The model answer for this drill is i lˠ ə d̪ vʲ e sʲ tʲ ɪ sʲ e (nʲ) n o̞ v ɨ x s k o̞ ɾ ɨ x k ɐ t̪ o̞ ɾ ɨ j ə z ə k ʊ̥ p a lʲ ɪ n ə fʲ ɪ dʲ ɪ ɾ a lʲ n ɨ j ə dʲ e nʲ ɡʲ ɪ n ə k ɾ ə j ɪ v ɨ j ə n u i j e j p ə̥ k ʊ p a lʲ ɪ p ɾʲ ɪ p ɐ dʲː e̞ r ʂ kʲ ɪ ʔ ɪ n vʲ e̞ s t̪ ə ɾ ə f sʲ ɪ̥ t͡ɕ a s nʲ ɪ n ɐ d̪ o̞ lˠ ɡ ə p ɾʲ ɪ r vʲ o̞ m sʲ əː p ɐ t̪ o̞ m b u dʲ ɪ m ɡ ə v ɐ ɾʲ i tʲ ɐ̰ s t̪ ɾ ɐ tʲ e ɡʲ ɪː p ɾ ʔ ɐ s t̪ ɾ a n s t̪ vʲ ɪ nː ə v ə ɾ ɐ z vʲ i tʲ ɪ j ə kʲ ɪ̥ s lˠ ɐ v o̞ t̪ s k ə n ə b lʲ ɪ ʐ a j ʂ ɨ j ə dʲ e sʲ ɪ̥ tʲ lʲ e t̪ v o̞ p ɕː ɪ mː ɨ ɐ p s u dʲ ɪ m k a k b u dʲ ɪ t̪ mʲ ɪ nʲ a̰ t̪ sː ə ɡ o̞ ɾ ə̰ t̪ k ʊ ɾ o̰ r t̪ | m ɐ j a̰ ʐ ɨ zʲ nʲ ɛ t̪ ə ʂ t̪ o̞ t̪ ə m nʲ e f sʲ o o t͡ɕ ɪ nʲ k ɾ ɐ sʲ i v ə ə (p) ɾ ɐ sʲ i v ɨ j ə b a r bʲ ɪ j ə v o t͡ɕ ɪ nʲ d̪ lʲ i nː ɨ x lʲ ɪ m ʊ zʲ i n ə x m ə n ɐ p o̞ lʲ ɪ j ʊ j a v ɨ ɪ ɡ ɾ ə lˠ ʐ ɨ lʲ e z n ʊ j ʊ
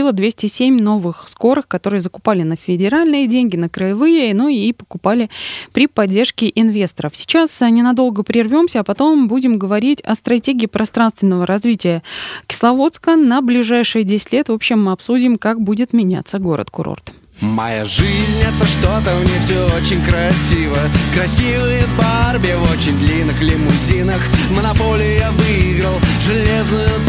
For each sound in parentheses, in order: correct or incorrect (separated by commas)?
incorrect, incorrect